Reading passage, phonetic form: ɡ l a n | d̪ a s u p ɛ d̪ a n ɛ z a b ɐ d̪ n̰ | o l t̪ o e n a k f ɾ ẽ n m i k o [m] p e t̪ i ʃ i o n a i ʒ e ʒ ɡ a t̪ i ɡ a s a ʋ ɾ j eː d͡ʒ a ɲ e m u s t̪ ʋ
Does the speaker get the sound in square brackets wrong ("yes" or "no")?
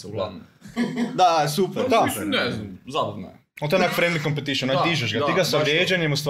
no